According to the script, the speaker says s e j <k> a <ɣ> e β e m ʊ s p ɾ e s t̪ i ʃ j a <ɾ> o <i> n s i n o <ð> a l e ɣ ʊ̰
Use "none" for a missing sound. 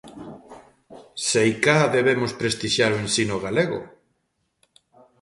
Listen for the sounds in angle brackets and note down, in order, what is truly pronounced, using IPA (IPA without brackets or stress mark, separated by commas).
k, ð, ɾ, e, ɣ